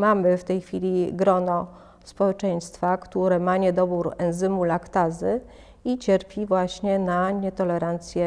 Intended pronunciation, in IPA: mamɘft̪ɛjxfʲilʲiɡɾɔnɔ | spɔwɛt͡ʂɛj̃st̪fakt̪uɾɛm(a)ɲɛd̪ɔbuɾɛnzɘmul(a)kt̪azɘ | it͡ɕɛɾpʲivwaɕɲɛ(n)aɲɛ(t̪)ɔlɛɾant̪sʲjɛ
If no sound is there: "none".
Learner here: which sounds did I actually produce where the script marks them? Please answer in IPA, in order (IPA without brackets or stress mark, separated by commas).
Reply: a, a, n, t̪